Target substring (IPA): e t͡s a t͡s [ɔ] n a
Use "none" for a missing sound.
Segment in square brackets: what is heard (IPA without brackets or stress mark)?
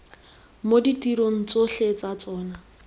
ɔː